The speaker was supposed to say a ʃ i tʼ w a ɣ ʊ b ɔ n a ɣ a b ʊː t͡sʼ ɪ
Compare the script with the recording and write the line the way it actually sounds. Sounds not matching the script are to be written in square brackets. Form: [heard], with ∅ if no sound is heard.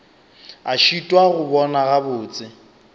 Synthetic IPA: a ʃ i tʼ w a ɣ ʊ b ɔ n a ɣ a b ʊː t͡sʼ ɪ